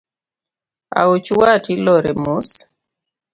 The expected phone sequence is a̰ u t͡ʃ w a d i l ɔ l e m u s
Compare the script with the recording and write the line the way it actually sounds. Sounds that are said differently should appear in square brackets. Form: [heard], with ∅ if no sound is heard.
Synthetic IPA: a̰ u t͡ʃ w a [t] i l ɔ [ɾ] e m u s